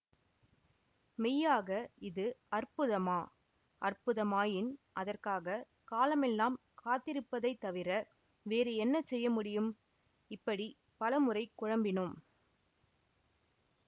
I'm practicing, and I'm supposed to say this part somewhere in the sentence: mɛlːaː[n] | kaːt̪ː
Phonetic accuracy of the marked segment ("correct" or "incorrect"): incorrect